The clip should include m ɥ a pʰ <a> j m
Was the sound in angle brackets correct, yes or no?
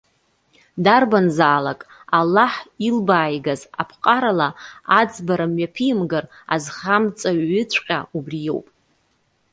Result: no